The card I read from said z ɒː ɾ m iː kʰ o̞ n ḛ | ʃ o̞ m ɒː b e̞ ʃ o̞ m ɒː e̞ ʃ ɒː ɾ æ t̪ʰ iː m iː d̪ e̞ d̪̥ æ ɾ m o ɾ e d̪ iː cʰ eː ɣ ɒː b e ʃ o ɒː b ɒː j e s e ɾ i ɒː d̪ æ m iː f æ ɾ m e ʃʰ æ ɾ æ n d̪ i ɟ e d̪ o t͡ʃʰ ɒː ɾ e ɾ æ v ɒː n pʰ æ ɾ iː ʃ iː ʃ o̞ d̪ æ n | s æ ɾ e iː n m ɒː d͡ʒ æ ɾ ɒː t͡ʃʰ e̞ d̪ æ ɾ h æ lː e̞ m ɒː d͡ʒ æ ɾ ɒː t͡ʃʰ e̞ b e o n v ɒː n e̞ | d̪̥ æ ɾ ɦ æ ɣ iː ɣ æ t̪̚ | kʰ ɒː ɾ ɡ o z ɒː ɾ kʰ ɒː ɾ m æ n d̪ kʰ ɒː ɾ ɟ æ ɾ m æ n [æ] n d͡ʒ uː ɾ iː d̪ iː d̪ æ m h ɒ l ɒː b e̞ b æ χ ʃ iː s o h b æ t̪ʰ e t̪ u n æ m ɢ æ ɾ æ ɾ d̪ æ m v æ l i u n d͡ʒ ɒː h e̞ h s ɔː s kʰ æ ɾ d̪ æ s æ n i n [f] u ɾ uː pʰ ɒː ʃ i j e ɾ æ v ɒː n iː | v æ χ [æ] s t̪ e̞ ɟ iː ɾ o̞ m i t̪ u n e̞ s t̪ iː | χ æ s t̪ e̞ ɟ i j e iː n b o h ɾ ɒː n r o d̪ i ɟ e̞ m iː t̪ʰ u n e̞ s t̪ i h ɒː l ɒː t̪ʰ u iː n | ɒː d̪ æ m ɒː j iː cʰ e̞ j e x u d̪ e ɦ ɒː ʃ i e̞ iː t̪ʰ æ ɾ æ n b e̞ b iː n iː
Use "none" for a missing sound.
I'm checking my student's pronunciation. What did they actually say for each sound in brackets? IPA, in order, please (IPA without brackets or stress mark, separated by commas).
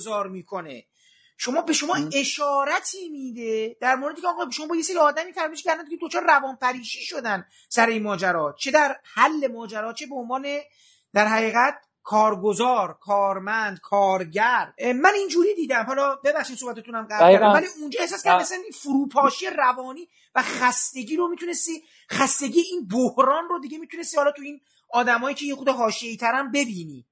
i, f, æ